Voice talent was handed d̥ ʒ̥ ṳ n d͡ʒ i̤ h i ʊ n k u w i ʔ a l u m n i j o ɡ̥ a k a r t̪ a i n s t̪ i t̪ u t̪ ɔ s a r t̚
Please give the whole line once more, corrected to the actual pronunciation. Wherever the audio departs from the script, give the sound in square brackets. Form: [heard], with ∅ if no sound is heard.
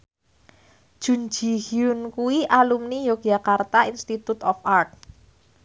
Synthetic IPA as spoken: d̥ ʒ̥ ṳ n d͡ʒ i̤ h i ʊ n k u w i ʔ a l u m n i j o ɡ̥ a k a r t̪ a i n s t̪ i t̪ u t̪ ɔ [f] a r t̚